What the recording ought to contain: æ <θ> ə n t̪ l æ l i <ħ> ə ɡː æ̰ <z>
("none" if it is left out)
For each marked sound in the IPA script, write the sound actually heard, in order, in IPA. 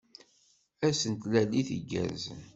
s, θ, z

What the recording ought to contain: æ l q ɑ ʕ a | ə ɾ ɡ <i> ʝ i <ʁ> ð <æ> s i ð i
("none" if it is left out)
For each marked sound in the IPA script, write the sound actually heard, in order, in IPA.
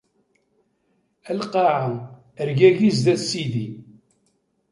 æ, z, æ

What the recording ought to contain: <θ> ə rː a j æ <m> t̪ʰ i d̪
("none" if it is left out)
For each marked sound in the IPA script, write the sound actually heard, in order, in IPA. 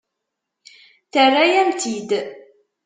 θ, m

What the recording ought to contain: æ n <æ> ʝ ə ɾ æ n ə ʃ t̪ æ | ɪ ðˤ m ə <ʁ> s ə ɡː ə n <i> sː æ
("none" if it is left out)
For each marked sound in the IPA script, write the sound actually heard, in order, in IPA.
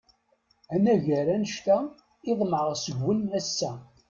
æ, ʁ, æ

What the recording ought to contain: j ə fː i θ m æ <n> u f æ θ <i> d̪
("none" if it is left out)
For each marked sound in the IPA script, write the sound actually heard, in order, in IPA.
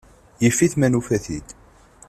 n, i

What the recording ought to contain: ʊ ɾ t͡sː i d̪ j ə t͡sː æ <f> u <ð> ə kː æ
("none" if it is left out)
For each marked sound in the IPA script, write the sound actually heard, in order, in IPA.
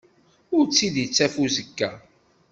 f, z

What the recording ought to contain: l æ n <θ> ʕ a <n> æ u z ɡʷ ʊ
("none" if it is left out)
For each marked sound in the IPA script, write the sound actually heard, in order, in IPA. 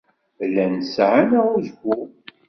s, n

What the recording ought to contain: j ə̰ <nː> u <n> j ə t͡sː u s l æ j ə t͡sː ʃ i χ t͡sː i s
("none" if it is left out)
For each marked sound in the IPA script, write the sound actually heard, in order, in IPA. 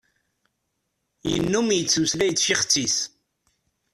nː, m

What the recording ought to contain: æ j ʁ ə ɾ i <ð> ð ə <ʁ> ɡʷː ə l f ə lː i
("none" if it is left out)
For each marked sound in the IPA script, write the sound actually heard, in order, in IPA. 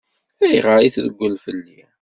θ, none

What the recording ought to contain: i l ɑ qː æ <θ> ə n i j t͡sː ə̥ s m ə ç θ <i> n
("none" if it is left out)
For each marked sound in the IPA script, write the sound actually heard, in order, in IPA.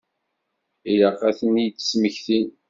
θ, i

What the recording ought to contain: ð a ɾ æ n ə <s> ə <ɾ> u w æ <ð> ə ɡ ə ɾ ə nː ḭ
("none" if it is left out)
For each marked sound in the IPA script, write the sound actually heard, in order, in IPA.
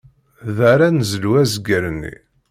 z, l, z

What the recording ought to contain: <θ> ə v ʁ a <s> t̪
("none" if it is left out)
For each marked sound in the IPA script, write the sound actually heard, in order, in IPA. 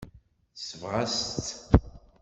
s, s

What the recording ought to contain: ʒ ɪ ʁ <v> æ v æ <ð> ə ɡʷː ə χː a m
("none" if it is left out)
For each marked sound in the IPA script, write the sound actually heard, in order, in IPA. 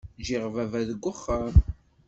v, ð

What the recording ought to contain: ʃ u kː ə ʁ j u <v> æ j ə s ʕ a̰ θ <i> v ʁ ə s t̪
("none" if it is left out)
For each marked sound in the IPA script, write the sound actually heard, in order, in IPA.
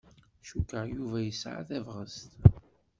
v, æ

